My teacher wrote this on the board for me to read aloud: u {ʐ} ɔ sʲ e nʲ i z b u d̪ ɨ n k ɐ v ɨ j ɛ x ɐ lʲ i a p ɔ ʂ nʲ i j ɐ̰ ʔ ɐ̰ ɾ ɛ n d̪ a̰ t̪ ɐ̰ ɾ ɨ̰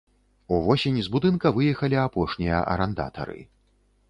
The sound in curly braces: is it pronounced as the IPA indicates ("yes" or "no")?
no